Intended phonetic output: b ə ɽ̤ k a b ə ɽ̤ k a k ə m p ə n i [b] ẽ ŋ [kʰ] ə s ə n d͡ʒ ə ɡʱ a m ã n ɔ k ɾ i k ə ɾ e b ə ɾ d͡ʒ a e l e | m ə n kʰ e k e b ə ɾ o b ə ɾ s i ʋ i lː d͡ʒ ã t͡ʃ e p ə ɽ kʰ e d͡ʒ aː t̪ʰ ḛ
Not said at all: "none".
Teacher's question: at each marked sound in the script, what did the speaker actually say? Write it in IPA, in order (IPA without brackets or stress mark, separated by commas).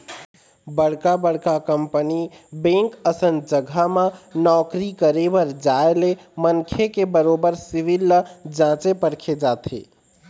b, k